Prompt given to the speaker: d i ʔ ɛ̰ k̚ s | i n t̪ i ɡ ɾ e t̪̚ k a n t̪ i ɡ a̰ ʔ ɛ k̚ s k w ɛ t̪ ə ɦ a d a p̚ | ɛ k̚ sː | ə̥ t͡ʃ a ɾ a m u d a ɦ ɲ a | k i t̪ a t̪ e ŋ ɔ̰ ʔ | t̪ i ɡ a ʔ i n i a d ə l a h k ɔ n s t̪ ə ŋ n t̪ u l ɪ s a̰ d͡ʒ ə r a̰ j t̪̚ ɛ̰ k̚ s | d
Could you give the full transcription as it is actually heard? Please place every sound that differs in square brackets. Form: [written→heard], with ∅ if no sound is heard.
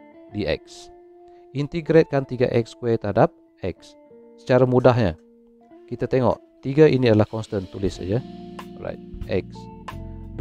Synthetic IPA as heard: d i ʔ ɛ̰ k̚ s | i n t̪ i ɡ ɾ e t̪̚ k a n t̪ i ɡ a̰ ʔ ɛ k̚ s k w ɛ t̪ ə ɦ a d a p̚ | ɛ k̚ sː | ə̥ t͡ʃ a ɾ a m u d a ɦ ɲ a | k i t̪ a t̪ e ŋ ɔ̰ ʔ | t̪ i ɡ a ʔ i n i a d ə l a h k ɔ n s t̪ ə [ŋ→∅] n t̪ u l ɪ s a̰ d͡ʒ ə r a̰ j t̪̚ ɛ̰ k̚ s | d